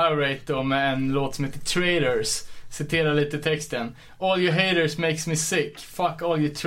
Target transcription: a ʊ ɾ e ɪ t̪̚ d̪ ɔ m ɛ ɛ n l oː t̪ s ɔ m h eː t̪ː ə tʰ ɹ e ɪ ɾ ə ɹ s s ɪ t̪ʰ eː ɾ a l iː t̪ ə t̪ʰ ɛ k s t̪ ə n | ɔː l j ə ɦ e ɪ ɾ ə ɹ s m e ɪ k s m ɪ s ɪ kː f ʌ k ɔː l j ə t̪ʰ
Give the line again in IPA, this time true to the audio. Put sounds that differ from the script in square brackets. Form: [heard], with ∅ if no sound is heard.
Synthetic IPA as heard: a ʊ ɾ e ɪ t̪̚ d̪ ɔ m ɛ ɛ n l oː t̪ s ɔ m h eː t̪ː ə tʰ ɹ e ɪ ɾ ə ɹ s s ɪ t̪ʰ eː ɾ a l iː t̪ ə t̪ʰ ɛ k s t̪ ə n | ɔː l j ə ɦ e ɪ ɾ ə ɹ s m e ɪ k s m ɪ s ɪ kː f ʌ k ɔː l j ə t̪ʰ